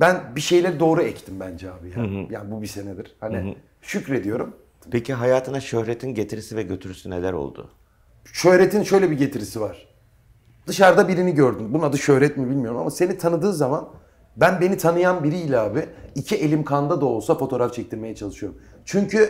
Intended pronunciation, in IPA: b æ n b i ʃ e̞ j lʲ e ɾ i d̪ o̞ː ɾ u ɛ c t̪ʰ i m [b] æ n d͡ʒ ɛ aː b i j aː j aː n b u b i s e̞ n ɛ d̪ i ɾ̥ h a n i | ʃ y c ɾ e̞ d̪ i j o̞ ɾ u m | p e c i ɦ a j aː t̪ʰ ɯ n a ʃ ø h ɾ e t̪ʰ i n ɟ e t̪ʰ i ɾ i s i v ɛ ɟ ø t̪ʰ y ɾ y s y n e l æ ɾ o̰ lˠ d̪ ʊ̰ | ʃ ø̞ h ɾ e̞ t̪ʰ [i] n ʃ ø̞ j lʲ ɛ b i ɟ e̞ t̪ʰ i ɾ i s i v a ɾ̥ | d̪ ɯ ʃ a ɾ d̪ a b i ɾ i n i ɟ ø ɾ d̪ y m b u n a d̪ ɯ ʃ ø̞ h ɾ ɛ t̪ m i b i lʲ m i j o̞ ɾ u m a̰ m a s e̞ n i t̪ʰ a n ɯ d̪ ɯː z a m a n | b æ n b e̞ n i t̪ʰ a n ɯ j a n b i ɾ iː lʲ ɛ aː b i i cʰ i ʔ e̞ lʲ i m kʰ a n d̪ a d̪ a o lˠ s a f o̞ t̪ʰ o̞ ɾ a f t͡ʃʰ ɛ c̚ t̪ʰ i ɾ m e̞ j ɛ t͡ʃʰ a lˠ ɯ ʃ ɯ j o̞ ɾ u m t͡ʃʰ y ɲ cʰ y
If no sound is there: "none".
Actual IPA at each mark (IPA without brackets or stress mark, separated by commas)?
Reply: b, i